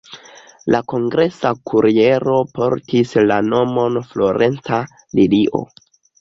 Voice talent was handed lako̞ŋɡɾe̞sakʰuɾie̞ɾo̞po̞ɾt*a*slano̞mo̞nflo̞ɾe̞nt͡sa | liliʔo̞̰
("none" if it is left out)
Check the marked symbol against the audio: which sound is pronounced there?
i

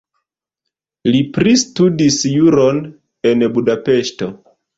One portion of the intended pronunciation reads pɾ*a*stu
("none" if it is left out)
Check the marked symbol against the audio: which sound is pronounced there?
i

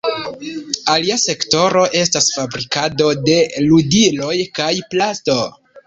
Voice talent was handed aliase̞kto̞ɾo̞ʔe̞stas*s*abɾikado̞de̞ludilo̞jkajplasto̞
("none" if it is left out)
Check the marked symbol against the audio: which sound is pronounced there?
f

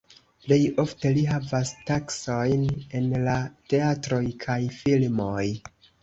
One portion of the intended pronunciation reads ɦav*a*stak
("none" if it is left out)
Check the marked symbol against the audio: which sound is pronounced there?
a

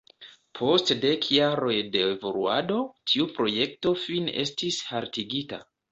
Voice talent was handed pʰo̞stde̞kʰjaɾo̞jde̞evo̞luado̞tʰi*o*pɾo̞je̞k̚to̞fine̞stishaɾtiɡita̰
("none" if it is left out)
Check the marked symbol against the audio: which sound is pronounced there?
u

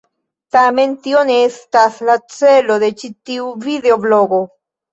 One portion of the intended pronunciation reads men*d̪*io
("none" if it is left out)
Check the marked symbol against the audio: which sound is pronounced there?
t̪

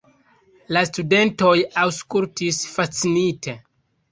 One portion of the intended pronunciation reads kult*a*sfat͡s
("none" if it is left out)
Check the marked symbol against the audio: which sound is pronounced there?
i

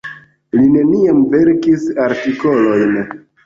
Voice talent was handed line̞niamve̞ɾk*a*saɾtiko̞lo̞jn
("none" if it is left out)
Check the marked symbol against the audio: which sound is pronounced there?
i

